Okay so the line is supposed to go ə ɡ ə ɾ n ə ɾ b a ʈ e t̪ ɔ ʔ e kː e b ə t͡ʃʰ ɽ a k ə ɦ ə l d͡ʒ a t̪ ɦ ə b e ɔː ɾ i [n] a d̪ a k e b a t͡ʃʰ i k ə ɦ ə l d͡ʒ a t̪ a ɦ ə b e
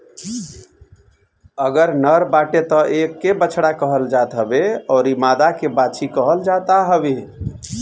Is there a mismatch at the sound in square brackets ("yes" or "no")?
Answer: yes